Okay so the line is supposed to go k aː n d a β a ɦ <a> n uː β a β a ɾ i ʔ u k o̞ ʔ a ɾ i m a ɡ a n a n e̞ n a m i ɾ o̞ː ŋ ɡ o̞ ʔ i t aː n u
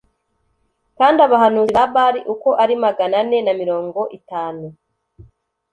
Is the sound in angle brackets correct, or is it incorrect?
correct